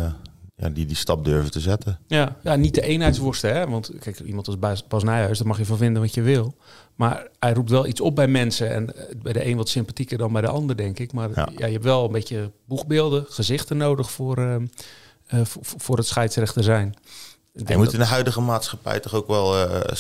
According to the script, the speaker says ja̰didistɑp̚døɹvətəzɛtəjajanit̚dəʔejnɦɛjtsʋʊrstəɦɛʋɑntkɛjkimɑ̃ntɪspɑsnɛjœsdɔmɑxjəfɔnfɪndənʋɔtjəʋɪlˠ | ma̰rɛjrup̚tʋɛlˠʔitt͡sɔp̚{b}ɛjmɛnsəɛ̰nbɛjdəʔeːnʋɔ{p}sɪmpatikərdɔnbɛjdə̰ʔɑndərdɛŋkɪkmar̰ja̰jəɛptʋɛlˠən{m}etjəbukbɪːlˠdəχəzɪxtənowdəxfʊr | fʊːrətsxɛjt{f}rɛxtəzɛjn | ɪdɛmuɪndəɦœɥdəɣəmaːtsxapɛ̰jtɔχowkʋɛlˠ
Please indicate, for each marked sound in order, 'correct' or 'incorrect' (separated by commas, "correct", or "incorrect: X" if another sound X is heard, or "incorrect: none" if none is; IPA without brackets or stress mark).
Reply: correct, incorrect: t, incorrect: b, incorrect: s